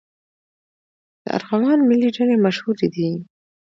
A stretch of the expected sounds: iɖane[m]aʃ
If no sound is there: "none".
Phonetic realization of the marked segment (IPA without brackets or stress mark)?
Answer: m